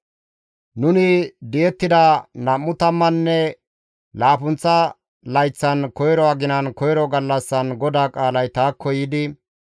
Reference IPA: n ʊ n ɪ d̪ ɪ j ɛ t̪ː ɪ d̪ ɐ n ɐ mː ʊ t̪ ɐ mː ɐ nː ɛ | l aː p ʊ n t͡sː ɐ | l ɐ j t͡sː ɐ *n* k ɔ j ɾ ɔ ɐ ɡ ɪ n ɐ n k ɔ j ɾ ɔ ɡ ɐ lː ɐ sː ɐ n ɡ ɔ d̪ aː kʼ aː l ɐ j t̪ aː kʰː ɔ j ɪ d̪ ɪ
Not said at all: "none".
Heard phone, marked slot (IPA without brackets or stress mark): n